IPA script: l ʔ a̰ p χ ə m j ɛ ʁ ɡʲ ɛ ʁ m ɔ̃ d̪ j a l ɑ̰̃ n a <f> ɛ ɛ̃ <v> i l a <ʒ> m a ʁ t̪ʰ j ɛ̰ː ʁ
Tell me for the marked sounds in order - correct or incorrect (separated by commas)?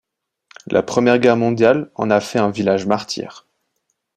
correct, correct, correct